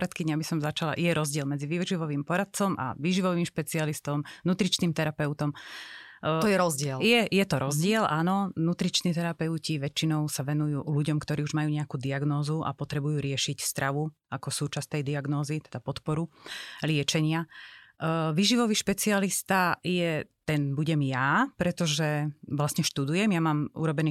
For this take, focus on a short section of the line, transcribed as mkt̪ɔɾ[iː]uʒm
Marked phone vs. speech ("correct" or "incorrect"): correct